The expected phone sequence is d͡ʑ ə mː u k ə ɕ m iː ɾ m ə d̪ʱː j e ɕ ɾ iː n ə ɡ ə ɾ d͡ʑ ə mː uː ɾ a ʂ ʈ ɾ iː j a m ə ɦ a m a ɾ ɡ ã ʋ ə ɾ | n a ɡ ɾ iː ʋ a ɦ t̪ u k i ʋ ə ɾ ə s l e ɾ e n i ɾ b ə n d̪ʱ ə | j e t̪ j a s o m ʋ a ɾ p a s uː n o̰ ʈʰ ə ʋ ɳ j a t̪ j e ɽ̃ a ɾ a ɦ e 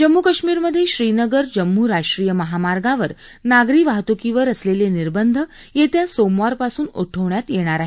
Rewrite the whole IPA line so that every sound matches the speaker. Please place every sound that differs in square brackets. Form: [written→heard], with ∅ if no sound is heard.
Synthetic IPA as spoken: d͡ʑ ə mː u k ə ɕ m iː ɾ m ə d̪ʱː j e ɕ ɾ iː n ə ɡ ə ɾ d͡ʑ ə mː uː ɾ a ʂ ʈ ɾ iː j [a→ə] m ə ɦ a m a ɾ ɡ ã ʋ ə ɾ | n a ɡ ɾ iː ʋ a ɦ t̪ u k i ʋ ə ɾ ə s l e [ɾ→l] e n i ɾ b ə n d̪ʱ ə | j e t̪ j a s o m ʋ a ɾ p a s uː n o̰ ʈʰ ə ʋ ɳ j a t̪ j e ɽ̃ a ɾ a ɦ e